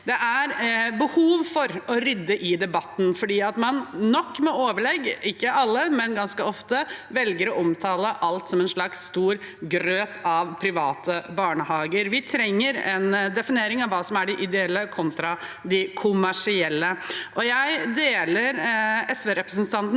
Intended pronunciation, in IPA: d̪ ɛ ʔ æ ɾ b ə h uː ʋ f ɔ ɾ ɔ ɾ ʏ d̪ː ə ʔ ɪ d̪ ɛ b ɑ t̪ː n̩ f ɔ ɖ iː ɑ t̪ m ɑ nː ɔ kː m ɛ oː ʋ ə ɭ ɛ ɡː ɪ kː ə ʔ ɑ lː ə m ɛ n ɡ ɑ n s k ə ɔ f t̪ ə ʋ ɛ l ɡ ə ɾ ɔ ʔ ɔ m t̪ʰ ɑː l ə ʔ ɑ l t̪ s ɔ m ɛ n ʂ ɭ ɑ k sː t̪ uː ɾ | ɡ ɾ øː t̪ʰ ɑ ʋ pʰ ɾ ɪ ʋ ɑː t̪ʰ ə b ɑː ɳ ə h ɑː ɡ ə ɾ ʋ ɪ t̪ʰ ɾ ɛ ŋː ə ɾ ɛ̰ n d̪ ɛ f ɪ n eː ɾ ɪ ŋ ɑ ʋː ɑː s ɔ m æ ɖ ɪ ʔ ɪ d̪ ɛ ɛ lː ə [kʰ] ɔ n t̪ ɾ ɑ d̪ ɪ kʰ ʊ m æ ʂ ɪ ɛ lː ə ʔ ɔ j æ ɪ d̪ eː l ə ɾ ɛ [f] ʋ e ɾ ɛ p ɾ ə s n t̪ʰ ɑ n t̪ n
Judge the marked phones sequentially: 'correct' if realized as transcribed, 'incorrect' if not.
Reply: correct, incorrect: s

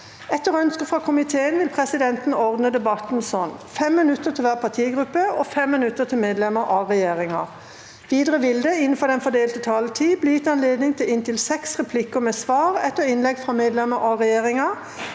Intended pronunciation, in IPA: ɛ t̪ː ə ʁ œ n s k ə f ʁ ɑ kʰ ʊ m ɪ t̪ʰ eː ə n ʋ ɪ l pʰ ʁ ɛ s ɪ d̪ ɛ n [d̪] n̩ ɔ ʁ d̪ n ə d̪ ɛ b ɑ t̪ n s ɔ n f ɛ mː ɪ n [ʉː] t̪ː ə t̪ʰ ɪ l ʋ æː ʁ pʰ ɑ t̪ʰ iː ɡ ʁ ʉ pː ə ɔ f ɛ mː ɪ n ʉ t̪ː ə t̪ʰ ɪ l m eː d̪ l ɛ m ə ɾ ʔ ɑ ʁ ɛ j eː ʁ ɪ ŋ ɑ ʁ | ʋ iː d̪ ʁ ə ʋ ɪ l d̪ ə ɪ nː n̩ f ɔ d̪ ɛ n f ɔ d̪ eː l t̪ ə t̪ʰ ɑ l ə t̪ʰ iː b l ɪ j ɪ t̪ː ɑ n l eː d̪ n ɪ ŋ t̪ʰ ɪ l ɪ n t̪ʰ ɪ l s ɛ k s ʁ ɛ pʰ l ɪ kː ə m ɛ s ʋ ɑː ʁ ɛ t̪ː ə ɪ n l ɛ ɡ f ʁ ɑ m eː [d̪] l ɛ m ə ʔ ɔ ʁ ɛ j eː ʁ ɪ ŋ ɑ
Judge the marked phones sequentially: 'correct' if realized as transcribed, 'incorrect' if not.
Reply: incorrect: t̪, incorrect: ʉ, correct

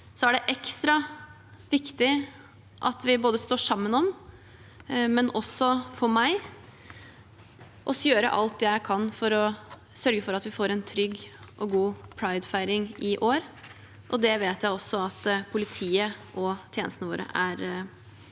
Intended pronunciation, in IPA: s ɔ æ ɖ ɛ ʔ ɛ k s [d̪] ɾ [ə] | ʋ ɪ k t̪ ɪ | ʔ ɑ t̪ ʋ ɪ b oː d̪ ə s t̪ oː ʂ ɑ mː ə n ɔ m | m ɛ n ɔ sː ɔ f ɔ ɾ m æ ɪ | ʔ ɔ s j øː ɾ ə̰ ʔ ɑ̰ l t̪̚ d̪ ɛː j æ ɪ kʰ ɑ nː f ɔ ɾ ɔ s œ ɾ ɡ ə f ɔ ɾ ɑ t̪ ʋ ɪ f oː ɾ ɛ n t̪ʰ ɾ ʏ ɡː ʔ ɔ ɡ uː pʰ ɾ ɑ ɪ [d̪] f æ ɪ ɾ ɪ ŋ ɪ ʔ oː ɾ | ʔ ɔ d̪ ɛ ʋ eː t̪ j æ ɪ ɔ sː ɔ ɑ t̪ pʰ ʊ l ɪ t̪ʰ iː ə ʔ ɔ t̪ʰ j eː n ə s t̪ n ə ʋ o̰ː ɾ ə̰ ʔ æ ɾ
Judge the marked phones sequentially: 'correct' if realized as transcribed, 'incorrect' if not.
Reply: incorrect: t̪, incorrect: ɑ, correct

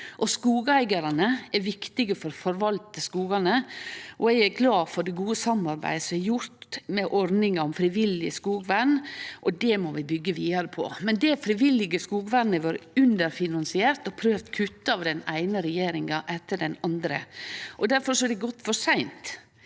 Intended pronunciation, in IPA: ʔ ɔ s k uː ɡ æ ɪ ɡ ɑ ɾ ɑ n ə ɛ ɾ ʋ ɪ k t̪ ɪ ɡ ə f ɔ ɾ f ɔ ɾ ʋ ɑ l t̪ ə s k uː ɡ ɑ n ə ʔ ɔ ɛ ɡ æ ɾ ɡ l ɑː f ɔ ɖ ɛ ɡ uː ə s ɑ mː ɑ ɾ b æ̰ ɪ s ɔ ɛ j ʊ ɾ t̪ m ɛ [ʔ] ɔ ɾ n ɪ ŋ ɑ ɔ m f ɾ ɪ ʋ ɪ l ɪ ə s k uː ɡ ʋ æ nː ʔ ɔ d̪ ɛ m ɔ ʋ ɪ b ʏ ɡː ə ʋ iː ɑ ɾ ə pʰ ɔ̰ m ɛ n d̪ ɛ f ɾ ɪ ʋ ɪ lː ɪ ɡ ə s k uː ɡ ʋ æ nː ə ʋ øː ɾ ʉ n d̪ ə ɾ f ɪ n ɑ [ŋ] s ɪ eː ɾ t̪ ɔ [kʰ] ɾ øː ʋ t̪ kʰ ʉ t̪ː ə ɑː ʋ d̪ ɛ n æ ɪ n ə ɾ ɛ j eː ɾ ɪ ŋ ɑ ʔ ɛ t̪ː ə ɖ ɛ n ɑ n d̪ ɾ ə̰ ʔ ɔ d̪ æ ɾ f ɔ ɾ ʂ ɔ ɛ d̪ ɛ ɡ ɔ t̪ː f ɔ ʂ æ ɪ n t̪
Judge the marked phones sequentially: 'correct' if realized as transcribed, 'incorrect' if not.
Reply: correct, incorrect: n, incorrect: pʰ

